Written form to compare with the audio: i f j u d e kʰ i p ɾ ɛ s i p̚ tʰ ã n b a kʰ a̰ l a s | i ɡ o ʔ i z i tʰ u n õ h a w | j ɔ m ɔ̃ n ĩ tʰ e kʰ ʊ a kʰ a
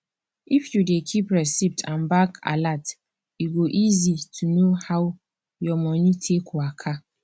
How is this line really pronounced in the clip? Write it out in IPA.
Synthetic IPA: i f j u d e kʰ i p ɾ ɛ s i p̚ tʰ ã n b a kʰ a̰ l a t | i ɡ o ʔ i z i tʰ u n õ h a w | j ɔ m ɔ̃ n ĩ tʰ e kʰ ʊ a kʰ a